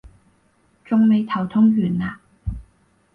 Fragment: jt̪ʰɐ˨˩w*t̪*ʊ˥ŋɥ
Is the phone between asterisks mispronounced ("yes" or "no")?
yes